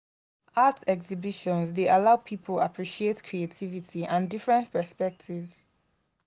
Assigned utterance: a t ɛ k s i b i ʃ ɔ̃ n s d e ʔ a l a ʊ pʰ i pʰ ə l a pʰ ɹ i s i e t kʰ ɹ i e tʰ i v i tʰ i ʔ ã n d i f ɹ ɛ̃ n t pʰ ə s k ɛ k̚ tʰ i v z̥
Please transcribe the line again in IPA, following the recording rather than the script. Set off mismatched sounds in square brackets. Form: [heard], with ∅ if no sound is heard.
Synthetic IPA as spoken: a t ɛ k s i b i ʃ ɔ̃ n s d e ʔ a l a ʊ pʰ i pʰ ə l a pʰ ɹ i [ʃ] i e t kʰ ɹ i e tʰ i v i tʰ i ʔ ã n d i f ɹ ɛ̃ n t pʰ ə s [p] ɛ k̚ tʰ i v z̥